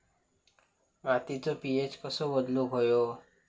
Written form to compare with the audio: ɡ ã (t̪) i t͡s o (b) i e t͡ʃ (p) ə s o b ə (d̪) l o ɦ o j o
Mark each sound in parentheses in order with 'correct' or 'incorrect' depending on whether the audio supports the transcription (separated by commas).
correct, incorrect, incorrect, correct